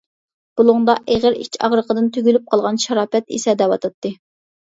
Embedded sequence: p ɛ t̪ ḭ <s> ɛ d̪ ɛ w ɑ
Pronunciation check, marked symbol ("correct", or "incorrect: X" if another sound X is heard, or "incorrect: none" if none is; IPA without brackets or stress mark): correct